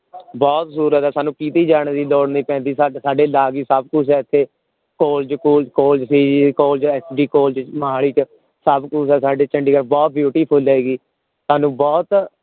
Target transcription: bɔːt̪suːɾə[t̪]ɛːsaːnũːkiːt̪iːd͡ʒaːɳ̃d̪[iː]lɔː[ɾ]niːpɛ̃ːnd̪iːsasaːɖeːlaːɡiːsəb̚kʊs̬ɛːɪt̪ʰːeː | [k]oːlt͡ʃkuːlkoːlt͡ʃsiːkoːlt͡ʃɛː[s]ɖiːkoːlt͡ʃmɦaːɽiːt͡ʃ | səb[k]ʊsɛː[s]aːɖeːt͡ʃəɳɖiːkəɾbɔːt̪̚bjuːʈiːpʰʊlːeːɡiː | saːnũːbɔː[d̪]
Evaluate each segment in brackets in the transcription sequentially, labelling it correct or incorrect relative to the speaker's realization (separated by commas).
correct, correct, incorrect, correct, correct, correct, correct, incorrect